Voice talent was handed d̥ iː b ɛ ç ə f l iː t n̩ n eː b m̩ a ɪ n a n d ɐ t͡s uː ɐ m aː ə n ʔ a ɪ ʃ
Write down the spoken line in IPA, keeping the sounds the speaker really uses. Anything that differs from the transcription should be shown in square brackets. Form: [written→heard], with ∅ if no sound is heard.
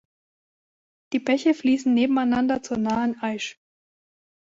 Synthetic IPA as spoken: d̥ iː b ɛ ç ə f l iː [t→s] n̩ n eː b m̩ a ɪ n a n d ɐ t͡s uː ɐ [m→n] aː ə n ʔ a ɪ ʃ